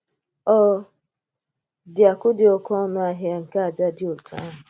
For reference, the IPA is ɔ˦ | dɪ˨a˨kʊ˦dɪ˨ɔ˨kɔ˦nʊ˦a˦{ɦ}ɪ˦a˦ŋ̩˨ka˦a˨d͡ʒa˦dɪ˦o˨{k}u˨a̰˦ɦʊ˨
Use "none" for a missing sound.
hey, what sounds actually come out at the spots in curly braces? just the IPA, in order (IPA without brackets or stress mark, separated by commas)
ɦ, t